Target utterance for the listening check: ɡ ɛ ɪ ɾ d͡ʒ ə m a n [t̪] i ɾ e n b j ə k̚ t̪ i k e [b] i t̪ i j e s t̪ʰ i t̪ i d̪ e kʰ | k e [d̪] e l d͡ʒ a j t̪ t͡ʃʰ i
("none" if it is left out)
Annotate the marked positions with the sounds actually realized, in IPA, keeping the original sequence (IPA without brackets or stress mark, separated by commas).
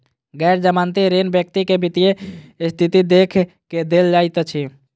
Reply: t̪, b, d̪